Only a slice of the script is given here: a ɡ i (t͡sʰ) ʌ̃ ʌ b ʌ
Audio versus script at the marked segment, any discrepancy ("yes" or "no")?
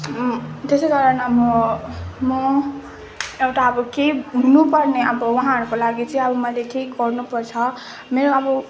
yes